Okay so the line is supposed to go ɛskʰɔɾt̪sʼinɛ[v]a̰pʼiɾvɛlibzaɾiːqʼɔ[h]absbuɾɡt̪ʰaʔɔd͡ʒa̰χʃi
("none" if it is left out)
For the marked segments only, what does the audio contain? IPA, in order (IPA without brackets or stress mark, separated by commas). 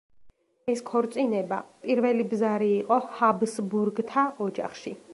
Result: b, h